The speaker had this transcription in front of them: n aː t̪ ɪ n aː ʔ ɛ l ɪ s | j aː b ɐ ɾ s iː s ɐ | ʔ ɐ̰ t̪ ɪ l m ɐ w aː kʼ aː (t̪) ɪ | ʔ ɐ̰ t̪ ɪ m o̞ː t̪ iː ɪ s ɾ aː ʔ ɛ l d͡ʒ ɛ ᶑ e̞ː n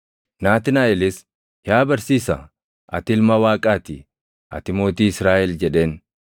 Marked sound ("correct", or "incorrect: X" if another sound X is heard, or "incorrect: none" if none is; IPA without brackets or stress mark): correct